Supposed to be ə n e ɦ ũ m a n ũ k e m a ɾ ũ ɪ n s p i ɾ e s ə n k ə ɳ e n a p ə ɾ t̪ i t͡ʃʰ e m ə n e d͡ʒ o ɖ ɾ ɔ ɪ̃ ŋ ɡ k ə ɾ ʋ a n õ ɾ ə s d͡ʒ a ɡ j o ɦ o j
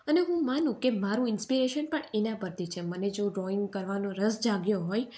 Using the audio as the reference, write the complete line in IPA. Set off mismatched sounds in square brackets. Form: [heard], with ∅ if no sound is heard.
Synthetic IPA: ə n e ɦ ũ m a n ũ k e m a ɾ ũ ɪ n s p i ɾ e [ʃ] ə n [p] ə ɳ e n a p ə ɾ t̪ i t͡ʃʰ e m ə n e d͡ʒ o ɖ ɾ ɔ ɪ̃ ŋ ɡ k ə ɾ ʋ a n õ ɾ ə s d͡ʒ a ɡ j o ɦ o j